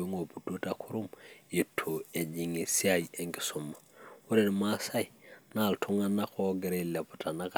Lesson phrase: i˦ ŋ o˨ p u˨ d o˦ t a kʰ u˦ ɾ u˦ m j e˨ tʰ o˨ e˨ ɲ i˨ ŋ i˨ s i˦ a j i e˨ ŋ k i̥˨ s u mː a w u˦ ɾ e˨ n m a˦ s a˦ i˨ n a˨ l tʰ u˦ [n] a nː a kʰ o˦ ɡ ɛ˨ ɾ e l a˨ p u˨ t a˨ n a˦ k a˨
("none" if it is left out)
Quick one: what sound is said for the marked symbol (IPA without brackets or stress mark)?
ŋ